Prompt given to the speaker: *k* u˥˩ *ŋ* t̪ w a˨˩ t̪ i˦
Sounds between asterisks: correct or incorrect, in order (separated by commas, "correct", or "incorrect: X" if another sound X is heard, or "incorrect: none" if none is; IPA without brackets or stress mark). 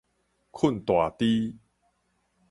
incorrect: kʰ, incorrect: n